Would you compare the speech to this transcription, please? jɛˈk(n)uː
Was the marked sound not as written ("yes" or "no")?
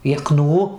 no